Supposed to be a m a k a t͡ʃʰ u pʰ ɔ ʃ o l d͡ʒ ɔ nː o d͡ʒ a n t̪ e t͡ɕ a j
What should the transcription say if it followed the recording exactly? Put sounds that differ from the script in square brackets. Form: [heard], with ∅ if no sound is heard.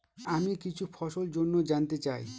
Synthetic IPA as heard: a m [i] k [i] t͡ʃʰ u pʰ ɔ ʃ o l d͡ʒ [o] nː o d͡ʒ a n t̪ e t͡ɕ a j